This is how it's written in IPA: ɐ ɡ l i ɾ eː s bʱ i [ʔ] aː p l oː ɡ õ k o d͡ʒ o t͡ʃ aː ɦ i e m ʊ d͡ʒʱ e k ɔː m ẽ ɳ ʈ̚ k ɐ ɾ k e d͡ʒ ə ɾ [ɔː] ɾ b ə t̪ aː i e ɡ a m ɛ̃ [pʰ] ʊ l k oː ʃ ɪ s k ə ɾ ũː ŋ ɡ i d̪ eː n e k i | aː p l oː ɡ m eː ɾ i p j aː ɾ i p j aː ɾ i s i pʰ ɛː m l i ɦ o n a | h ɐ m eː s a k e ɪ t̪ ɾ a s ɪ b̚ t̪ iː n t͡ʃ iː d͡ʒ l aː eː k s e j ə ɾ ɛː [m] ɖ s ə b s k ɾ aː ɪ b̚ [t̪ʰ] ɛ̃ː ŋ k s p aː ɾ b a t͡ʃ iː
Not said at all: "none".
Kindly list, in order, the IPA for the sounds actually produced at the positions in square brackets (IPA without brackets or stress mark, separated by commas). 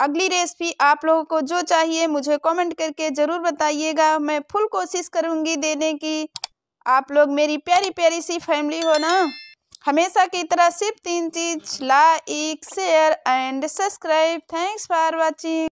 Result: ʔ, uː, pʰ, ɳ, t̪ʰ